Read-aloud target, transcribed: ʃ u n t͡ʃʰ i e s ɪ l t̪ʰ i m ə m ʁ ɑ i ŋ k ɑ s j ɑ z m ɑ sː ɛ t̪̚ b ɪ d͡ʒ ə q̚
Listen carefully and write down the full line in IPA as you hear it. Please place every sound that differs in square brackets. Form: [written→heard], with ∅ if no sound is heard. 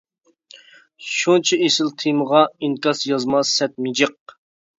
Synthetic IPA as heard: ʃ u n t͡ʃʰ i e s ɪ l t̪ʰ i m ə [m→∅] ʁ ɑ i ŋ k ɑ s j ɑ z m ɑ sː ɛ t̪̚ [b→m] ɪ d͡ʒ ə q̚

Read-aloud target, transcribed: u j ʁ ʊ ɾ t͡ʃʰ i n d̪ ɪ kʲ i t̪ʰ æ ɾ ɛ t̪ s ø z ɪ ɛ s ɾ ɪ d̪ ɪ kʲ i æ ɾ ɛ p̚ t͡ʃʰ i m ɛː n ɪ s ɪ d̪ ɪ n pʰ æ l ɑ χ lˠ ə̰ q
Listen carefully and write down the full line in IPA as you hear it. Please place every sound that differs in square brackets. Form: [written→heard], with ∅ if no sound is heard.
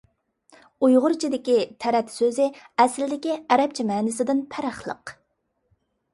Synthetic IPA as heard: u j ʁ ʊ ɾ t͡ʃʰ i [n→∅] d̪ ɪ kʲ i t̪ʰ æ ɾ ɛ t̪ s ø z ɪ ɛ s [ɾ→l] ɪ d̪ ɪ kʲ i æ ɾ ɛ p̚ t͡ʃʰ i m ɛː n ɪ s ɪ d̪ ɪ n pʰ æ [l→ɾ] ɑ χ lˠ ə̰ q

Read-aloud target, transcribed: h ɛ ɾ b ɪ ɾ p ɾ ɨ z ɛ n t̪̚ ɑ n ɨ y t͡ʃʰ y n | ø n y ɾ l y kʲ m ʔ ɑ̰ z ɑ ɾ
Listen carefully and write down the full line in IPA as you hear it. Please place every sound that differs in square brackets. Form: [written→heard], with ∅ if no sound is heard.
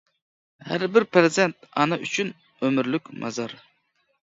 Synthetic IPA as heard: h [ɛ→æ] ɾ b ɪ ɾ p ɾ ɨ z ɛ n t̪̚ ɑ n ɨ y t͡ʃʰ y n | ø [n→m] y ɾ l y kʲ m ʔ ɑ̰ z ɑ ɾ

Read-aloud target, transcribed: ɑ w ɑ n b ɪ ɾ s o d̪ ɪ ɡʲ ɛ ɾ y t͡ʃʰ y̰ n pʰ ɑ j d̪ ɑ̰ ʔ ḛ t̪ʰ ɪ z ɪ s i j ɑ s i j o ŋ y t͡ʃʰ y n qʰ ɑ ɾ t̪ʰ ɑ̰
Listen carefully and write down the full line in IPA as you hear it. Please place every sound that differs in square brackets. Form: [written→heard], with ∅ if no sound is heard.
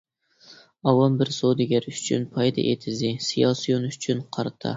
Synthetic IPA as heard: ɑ w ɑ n b ɪ ɾ s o d̪ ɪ ɡʲ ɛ ɾ y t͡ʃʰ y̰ n pʰ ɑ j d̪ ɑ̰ ʔ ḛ t̪ʰ ɪ z ɪ s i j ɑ s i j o [ŋ→n] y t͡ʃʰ y n qʰ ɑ ɾ t̪ʰ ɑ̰

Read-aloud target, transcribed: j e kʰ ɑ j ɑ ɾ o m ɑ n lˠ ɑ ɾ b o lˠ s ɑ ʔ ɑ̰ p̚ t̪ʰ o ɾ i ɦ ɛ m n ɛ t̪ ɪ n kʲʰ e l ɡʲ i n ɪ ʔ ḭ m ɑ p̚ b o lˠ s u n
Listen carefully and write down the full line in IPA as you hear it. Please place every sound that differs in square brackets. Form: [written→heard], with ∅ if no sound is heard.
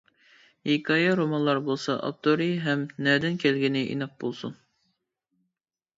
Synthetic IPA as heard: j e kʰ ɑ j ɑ ɾ o m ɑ n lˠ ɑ ɾ b o lˠ s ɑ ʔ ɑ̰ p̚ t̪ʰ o ɾ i ɦ ɛ m n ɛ [t̪→d̪] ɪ n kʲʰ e l ɡʲ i n ɪ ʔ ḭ [m→n] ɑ p̚ b o lˠ s u n

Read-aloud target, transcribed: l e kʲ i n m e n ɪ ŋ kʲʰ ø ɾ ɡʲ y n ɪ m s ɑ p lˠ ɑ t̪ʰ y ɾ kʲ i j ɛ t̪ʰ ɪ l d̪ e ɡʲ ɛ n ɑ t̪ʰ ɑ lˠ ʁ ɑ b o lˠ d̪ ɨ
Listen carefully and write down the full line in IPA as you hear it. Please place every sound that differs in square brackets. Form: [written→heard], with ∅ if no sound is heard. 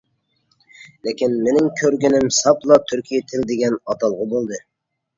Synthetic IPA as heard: l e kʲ i n m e n ɪ ŋ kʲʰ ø ɾ ɡʲ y n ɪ m s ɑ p lˠ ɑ t̪ʰ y ɾ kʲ i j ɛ t̪ʰ ɪ l d̪ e ɡʲ ɛ n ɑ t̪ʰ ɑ lˠ ʁ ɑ b o lˠ d̪ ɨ

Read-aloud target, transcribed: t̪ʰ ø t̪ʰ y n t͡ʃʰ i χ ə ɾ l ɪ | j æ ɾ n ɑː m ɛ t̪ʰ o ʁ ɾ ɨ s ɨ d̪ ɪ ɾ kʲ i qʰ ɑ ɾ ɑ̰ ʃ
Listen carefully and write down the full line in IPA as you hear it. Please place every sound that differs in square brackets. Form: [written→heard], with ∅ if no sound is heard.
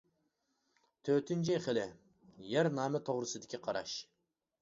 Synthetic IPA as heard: t̪ʰ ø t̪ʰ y n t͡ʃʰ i χ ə [ɾ→∅] l ɪ | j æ ɾ n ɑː m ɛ t̪ʰ o ʁ ɾ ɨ s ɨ d̪ ɪ [ɾ→∅] kʲ i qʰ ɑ ɾ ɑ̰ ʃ

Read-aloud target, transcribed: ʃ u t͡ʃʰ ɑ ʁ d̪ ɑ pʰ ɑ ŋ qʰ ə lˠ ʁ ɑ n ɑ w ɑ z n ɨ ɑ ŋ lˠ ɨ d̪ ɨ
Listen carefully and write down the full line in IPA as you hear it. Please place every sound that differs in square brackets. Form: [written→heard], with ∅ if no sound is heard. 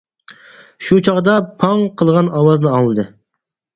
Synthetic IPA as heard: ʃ u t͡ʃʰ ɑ ʁ d̪ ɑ pʰ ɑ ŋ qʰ ə lˠ ʁ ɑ n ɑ w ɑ z n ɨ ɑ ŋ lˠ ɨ d̪ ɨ

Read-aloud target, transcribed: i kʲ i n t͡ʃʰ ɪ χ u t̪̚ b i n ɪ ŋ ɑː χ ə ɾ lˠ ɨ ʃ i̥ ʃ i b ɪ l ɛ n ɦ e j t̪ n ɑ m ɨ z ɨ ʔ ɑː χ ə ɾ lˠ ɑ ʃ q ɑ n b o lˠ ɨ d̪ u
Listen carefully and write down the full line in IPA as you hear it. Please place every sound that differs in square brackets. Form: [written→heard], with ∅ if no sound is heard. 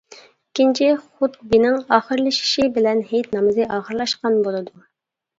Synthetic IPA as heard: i kʲ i n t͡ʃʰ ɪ χ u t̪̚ b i n ɪ ŋ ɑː χ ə ɾ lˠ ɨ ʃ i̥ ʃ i b ɪ l ɛ n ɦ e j t̪ n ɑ m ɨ z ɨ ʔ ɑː χ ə ɾ lˠ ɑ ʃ q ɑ n b o lˠ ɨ d̪ u

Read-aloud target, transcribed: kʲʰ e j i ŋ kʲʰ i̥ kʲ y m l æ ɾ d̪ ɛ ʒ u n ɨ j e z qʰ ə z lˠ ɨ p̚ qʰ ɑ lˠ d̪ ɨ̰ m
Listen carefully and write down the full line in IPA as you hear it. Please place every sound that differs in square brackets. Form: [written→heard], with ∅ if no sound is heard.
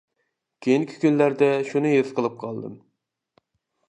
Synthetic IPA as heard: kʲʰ e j i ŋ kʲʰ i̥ kʲ y [m→n] l æ ɾ d̪ ɛ [ʒ→ʃ] u n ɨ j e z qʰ ə [z→∅] lˠ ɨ p̚ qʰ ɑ lˠ d̪ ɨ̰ m

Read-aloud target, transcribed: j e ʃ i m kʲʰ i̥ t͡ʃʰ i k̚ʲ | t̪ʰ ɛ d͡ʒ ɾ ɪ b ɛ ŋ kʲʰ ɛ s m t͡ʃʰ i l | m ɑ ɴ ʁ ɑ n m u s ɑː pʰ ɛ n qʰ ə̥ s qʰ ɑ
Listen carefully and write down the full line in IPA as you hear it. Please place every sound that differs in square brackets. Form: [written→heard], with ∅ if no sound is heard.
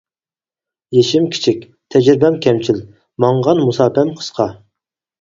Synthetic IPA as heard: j e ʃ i m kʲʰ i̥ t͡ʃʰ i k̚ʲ | t̪ʰ ɛ d͡ʒ ɾ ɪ b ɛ [ŋ→m] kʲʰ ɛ [s→∅] m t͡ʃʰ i l | m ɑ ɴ ʁ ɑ n m u s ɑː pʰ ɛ [n→m] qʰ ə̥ s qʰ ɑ

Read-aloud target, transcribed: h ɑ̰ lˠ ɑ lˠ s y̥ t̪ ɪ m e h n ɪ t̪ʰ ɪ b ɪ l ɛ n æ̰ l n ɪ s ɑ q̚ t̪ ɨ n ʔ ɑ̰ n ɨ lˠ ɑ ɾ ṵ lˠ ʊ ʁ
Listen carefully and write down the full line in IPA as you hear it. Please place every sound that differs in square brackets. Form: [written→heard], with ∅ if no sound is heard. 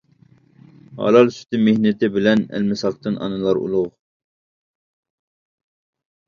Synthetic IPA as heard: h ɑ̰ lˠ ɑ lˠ s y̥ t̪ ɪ m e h n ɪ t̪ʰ ɪ b ɪ l ɛ n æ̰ l [n→m] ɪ s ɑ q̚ t̪ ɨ n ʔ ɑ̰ n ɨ lˠ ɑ ɾ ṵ lˠ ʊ ʁ

